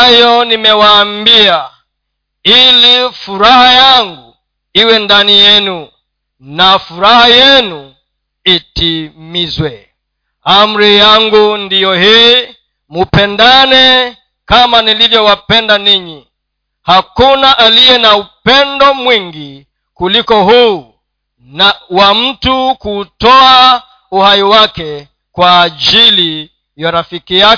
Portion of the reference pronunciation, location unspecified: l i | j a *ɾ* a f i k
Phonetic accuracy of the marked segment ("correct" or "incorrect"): correct